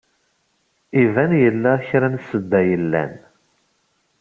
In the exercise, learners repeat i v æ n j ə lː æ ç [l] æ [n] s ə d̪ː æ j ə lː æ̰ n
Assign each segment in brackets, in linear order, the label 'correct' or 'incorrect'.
incorrect, correct

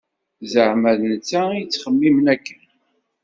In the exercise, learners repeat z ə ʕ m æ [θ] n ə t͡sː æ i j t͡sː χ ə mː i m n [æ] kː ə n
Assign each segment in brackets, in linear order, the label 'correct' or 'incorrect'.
incorrect, correct

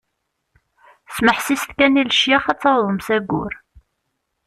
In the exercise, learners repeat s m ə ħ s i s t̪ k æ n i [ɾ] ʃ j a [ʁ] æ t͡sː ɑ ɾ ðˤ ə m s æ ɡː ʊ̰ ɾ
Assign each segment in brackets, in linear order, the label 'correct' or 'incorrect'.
incorrect, incorrect

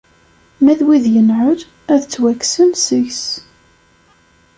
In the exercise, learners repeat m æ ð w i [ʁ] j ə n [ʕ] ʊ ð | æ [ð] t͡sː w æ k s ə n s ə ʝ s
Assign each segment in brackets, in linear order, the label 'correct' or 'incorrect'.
incorrect, correct, correct

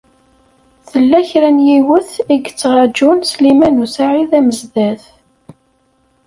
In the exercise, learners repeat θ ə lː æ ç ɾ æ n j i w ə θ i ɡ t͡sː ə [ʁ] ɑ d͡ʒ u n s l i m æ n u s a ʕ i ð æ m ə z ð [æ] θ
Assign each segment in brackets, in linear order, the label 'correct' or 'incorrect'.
correct, correct

